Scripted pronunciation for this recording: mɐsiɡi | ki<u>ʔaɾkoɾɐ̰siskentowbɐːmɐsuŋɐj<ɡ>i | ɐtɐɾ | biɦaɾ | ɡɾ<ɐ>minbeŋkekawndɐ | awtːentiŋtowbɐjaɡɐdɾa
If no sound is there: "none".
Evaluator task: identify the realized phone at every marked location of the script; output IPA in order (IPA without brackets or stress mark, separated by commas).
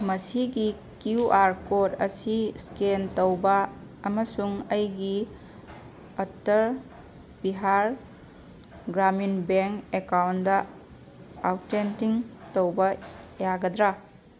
u, ɡ, a